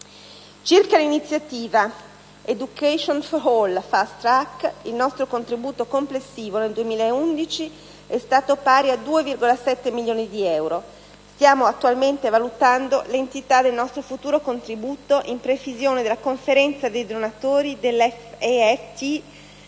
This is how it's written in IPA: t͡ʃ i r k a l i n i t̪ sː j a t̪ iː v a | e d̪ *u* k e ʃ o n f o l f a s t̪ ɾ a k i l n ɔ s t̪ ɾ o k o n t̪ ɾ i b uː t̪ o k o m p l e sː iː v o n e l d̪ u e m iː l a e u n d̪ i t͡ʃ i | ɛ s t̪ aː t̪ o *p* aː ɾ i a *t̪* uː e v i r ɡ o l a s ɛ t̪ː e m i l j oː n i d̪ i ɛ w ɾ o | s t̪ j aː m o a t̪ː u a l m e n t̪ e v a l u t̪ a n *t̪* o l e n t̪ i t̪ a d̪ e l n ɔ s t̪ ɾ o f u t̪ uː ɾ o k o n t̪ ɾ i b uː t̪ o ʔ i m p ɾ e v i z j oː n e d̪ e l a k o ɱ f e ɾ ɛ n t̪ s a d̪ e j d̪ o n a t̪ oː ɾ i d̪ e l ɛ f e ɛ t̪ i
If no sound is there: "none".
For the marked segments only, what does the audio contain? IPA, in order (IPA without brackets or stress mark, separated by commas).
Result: u, p, d̪, d̪